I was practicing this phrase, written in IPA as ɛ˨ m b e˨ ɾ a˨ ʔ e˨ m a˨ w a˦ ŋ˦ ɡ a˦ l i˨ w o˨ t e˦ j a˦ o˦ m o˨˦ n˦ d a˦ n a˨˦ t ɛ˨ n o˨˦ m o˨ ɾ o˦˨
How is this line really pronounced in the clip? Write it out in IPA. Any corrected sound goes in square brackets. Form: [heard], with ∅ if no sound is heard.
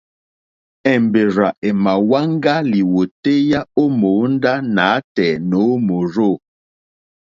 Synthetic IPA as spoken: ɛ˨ m b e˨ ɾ a˨ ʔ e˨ m a˨ w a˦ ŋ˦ ɡ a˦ l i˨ w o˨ t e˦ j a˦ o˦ m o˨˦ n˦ d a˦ n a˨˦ t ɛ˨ n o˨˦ m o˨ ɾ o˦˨